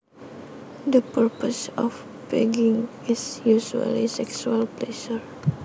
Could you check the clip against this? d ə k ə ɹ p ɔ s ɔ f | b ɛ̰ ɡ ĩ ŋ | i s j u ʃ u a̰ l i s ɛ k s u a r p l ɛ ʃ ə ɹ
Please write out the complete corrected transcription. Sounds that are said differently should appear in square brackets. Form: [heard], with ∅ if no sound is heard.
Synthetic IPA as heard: d ə [p] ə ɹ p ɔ s ɔ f | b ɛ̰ ɡ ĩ ŋ | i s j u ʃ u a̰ l i s ɛ k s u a [l] p l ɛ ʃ ə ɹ